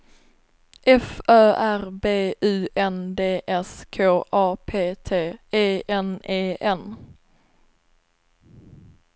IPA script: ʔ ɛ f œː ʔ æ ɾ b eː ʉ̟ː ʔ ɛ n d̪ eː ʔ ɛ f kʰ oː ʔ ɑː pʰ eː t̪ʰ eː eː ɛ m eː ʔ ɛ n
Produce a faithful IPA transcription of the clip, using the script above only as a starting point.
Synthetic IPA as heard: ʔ ɛ f œː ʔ æ ɾ b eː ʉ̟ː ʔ ɛ n d̪ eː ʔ ɛ s kʰ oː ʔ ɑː pʰ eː t̪ʰ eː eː ɛ n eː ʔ ɛ n